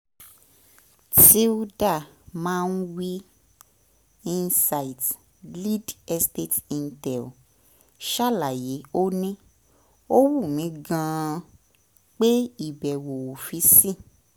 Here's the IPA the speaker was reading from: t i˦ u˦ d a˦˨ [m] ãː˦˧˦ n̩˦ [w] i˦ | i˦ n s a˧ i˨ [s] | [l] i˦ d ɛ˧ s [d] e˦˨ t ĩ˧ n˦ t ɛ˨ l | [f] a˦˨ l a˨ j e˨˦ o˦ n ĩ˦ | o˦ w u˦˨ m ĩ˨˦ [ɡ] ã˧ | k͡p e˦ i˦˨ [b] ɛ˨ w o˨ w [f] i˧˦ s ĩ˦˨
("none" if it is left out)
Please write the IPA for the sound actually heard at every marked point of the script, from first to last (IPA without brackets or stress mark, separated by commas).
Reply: m, w, t, l, t, ʃ, ɡ, b, f